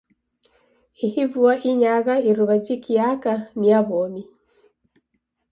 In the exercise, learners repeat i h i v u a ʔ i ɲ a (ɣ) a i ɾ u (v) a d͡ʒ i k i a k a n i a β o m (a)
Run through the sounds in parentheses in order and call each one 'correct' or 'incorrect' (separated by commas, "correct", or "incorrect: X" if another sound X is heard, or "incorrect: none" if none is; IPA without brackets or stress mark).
correct, incorrect: β, incorrect: i